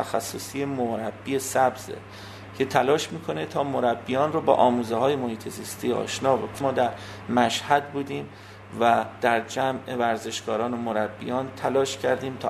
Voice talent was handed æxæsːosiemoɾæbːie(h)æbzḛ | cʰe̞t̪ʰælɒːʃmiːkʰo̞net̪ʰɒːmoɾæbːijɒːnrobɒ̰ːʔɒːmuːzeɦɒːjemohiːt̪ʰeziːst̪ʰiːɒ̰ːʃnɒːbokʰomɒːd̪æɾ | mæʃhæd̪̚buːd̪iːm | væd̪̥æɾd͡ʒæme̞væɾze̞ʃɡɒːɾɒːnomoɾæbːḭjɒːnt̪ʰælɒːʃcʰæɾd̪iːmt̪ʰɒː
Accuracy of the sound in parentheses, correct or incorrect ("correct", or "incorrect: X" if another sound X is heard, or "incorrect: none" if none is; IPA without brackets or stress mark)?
incorrect: s